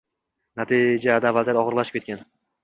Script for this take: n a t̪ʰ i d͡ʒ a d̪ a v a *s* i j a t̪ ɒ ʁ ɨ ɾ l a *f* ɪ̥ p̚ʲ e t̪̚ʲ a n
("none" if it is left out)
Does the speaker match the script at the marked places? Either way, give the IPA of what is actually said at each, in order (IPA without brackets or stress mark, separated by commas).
z, ʃ